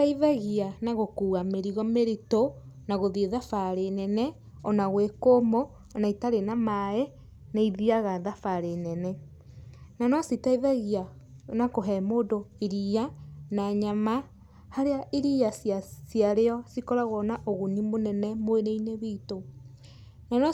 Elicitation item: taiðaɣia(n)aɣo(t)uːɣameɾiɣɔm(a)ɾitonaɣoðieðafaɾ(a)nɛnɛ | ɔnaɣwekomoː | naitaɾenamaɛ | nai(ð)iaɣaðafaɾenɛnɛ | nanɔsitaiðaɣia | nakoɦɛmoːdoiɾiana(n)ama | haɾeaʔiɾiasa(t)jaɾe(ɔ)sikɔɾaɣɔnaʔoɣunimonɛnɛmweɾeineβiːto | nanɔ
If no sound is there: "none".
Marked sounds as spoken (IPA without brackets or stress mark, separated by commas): n, k, e, e, ð, ɲ, s, ɔ